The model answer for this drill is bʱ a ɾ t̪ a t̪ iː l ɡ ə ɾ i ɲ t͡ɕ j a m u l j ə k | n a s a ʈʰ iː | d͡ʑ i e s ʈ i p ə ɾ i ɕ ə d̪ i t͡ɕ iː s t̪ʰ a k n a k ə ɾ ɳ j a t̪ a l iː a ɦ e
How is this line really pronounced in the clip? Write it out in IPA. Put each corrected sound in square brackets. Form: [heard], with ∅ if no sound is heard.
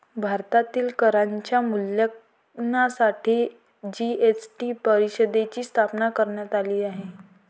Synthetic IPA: bʱ a ɾ t̪ a t̪ iː l [k] ə ɾ [a] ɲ t͡ɕ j a m u l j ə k | n a s a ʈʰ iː | d͡ʑ i e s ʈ i p ə ɾ i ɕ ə d̪ [e] t͡ɕ iː s t̪ʰ a [p] n a k ə ɾ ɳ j a t̪ a l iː a ɦ e